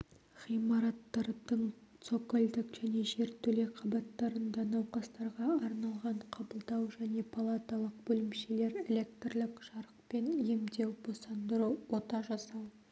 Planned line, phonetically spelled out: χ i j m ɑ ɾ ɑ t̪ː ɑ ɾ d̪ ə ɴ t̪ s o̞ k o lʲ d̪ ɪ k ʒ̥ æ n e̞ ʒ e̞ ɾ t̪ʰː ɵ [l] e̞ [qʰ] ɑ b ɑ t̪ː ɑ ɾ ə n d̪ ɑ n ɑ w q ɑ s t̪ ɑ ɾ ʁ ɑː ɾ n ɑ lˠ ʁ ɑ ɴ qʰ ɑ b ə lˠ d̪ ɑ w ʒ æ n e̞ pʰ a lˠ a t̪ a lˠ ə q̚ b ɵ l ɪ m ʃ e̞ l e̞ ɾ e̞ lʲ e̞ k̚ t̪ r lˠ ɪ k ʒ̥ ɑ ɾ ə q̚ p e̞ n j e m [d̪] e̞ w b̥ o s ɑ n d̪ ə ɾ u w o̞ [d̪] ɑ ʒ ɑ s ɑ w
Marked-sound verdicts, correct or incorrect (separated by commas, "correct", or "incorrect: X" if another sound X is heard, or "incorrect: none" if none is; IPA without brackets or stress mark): correct, correct, correct, incorrect: t̪